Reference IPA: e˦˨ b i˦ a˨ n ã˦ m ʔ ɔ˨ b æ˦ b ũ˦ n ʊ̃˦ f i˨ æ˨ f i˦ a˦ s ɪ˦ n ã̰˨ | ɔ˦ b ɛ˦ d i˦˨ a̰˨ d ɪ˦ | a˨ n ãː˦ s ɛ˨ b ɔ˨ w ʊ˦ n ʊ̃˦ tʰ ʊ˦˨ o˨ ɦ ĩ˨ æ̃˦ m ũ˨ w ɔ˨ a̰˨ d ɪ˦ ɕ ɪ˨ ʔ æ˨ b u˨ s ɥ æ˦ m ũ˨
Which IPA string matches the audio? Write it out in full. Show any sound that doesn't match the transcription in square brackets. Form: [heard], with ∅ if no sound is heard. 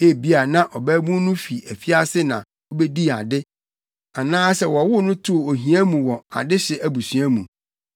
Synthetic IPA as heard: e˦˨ b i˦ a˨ n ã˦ [∅] ʔ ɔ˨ b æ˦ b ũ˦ n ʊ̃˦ f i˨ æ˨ f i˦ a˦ s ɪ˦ n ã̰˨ | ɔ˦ b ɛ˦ d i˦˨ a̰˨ d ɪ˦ | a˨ n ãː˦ s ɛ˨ [w] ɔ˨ w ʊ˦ n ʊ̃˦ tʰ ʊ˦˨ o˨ ɦ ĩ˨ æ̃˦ m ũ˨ w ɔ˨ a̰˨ d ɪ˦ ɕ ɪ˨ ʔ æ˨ b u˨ s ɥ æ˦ m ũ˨